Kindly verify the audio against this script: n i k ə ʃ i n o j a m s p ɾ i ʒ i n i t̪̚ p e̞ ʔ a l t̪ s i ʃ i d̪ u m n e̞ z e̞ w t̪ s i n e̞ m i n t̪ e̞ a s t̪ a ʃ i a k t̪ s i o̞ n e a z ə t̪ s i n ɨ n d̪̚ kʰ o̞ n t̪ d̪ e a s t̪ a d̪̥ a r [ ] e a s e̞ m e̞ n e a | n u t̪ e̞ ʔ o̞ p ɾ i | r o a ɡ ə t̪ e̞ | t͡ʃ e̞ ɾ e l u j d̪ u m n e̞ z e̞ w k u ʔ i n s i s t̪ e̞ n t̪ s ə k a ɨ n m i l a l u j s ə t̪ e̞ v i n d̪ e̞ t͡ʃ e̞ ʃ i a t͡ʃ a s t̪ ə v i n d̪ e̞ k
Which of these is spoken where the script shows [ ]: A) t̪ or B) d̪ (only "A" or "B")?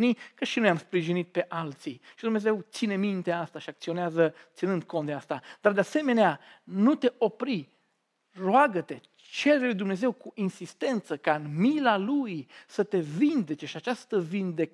B